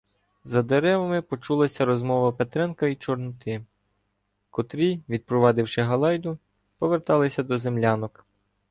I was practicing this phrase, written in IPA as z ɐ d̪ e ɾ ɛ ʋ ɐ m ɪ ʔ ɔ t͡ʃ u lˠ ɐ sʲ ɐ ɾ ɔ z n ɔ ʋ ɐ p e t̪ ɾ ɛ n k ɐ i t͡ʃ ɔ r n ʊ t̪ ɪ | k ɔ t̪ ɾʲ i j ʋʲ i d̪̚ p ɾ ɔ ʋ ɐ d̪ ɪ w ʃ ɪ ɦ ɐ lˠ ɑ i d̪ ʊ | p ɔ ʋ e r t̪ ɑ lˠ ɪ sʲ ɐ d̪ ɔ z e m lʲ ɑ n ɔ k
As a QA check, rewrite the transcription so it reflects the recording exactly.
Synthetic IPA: z ɐ d̪ e ɾ ɛ ʋ ɐ m ɪ p ɔ t͡ʃ u lˠ ɐ sʲ ɐ ɾ ɔ z m ɔ ʋ ɐ p e t̪ ɾ ɛ n k ɐ i t͡ʃ ɔ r n ʊ t̪ ɪ | k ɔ t̪ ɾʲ i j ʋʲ i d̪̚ p ɾ ɔ ʋ ɑ d̪ ɪ w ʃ ɪ ɦ ɐ lˠ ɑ j d̪ ʊ | p ɔ ʋ e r t̪ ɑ lˠ ɪ sʲ ɐ d̪ ɔ z e m lʲ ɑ n ɔ k